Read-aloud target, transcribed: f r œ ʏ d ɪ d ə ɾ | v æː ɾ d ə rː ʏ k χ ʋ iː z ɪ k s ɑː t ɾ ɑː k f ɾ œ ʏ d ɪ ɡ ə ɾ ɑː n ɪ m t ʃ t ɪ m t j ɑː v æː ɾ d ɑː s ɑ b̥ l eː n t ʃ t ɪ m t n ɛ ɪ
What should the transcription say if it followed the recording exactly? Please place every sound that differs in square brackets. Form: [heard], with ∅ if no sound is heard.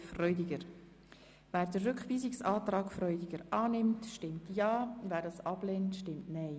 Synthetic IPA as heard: f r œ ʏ d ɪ [ɡ] ə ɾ | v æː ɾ d ə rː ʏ k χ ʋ iː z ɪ k s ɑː t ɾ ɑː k f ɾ œ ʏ d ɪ ɡ ə ɾ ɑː n ɪ m t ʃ t ɪ m t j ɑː v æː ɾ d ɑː s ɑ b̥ l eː n t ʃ t ɪ m t n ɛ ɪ